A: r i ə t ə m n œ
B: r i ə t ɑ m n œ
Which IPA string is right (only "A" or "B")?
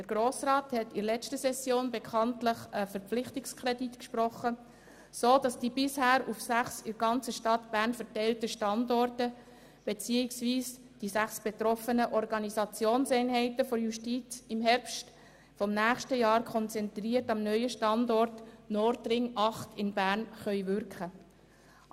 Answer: B